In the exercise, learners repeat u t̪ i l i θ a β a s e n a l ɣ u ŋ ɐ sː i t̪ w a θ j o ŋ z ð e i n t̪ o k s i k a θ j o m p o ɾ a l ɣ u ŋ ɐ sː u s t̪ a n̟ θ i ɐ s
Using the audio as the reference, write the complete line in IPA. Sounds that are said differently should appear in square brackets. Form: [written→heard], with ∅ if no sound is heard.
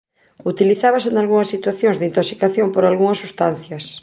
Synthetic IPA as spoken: u t̪ i l i θ a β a s e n a l ɣ u ŋ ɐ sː i t̪ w a θ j o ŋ z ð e i n t̪ o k s i k a θ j o m p o ɾ a l ɣ u ŋ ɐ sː u s t̪ a n̟ θ [i→j] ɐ s